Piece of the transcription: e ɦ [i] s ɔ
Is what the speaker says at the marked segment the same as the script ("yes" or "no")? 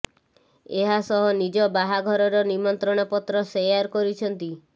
no